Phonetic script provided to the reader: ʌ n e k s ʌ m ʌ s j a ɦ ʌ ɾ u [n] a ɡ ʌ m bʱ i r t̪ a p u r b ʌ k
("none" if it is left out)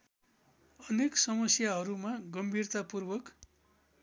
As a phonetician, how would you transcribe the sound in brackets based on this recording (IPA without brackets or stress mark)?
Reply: m